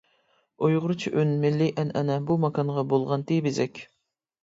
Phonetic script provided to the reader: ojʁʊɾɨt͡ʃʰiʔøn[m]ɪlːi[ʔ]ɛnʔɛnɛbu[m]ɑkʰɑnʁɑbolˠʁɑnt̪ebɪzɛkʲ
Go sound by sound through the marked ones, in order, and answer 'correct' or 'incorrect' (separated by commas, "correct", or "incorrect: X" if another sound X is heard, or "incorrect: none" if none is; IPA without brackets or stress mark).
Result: correct, correct, correct